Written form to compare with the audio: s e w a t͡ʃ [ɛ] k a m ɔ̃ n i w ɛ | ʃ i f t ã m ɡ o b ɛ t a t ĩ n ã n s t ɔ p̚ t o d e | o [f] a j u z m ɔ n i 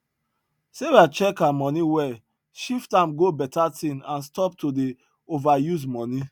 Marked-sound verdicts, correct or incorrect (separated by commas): correct, incorrect